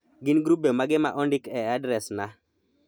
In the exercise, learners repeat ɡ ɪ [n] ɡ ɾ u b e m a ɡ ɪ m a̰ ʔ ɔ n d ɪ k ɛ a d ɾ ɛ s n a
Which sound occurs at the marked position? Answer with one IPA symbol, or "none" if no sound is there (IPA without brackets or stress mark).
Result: n